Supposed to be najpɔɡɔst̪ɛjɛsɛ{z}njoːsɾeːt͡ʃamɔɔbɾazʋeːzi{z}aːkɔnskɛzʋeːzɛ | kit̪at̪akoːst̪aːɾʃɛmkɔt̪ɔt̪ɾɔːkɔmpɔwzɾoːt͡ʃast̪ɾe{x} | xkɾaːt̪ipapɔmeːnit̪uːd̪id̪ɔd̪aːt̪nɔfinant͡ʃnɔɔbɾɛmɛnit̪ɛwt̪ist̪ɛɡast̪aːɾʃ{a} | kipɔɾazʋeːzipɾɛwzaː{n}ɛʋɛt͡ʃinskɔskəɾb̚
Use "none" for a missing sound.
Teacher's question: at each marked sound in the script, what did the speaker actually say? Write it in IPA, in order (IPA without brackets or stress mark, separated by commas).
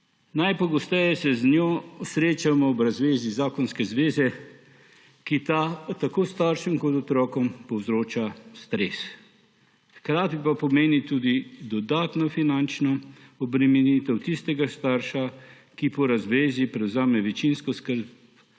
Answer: z, z, s, a, m